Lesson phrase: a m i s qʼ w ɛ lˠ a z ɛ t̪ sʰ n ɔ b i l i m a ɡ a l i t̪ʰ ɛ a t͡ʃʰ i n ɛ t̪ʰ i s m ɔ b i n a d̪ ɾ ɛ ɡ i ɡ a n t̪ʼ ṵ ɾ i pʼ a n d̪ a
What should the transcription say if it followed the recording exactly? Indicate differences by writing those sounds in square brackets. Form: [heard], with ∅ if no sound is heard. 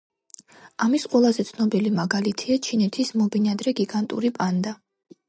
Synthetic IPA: a m i s qʼ w ɛ lˠ a z ɛ t̪ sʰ n ɔ b i l i m a ɡ a l i t̪ʰ [i] a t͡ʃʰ i n ɛ t̪ʰ i s m ɔ b i n a d̪ ɾ ɛ ɡ i ɡ a n t̪ʼ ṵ ɾ i pʼ a n d̪ a